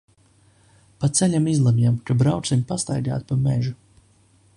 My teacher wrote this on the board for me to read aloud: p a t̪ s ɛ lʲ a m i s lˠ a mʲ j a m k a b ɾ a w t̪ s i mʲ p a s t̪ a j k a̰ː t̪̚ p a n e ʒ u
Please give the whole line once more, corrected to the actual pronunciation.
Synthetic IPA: p a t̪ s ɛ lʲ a m i z lˠ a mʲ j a m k a b ɾ a w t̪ s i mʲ p a s t̪ a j ɡ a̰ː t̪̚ p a m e ʒ u